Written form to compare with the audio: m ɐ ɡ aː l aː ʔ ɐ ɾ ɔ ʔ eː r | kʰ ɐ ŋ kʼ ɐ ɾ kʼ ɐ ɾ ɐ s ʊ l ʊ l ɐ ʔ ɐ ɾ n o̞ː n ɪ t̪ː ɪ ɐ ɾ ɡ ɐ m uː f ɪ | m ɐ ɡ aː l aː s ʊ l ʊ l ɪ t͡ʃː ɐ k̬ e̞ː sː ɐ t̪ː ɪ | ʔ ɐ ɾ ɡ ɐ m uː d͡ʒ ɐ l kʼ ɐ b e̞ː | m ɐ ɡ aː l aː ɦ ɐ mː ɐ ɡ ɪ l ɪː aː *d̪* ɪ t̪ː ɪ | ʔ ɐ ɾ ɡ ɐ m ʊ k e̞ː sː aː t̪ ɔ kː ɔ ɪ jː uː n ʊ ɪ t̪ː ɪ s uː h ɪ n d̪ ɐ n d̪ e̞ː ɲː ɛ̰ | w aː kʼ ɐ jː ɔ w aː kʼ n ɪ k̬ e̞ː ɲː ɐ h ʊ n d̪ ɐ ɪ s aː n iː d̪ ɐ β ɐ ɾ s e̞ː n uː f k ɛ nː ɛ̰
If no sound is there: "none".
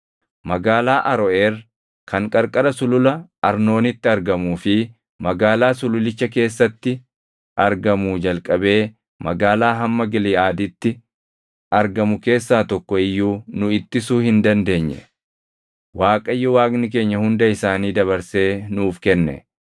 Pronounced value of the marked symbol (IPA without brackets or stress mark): d̪